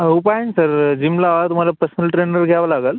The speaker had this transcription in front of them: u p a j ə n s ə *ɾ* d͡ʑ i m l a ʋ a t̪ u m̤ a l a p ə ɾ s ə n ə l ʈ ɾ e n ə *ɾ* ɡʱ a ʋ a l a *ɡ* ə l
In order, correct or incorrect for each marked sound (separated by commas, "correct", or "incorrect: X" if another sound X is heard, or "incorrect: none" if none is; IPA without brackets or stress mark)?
correct, correct, correct